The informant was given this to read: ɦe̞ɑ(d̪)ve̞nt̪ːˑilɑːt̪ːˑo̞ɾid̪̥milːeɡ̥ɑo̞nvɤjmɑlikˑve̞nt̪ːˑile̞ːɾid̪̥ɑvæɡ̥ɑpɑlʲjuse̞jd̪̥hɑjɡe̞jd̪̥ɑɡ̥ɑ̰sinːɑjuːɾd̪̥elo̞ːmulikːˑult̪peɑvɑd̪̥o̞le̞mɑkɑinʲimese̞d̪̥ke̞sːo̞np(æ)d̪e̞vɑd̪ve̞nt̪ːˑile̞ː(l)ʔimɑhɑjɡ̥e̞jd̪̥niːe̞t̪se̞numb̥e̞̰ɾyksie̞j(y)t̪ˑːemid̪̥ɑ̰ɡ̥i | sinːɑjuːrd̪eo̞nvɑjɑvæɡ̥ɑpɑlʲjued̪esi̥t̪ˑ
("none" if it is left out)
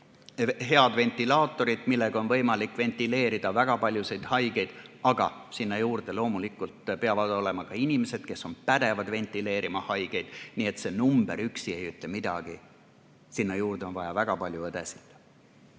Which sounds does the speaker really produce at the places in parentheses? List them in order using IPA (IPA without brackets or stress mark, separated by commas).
d̪, æ, ɾ, y